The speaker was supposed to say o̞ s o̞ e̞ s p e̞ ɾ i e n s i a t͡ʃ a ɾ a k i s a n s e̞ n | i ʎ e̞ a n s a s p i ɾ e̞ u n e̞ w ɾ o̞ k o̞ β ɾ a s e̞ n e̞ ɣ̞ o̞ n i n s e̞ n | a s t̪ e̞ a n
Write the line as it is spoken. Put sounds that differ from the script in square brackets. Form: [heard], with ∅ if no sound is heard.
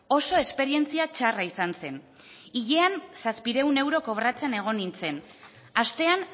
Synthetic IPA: o̞ s o̞ e̞ s p e̞ ɾ i e n [t͡s] i a t͡ʃ a [r] a [∅] i s a n s e̞ n | i ʎ e̞ a n s a s p i ɾ e̞ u n e̞ w ɾ o̞ k o̞ β ɾ a [t͡s] e̞ n e̞ ɣ̞ o̞ n i n [t͡s] e̞ n | a s t̪ e̞ a n